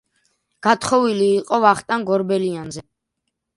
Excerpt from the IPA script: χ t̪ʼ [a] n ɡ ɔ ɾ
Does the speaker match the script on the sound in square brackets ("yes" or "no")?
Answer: yes